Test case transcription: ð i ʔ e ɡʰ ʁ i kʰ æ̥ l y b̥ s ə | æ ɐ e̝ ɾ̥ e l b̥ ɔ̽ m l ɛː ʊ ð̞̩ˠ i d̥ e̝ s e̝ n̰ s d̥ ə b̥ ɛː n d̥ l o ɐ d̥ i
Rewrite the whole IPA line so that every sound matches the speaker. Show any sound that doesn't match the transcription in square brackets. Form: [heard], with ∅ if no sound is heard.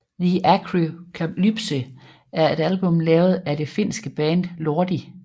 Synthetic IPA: ð i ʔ [æ] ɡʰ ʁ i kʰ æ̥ l y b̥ s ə | æ ɐ e̝ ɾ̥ [æ] l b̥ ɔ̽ m l ɛː ʊ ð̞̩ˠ [æ] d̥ e̝ [f] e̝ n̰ s [ɡ̥] ə b̥ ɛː n d̥ l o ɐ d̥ i